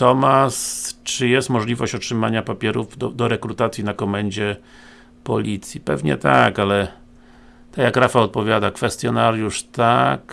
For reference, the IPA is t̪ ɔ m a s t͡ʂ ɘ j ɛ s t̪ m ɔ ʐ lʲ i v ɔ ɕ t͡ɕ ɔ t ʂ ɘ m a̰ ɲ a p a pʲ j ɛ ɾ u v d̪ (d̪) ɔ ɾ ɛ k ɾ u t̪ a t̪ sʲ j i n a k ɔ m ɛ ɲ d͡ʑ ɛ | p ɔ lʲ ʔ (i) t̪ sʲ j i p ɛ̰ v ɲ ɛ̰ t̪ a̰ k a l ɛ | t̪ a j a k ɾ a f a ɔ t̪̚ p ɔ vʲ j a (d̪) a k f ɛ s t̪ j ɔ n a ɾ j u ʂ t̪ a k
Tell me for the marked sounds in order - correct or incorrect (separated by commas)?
correct, correct, correct